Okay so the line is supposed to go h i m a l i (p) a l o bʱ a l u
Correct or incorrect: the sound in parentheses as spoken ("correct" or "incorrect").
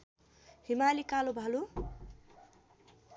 incorrect